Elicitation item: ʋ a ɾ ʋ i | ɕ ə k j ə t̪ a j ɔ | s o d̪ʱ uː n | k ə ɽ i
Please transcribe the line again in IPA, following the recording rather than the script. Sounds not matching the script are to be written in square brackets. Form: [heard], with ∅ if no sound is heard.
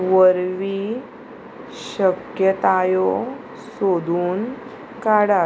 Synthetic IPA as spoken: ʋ [ə] ɾ ʋ i | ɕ ə k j ə t̪ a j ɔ | s o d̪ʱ uː n | k [a] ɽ [a]